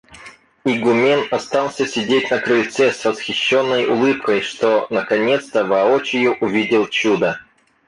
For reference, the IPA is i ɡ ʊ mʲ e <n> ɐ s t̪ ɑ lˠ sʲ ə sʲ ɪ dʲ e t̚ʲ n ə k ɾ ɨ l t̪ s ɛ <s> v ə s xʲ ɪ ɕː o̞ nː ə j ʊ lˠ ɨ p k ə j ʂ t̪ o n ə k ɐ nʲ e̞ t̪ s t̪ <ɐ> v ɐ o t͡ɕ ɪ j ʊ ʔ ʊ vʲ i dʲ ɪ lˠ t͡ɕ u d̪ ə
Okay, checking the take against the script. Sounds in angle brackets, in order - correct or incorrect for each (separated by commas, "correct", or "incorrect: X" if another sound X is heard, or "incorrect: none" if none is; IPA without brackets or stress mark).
correct, correct, incorrect: ə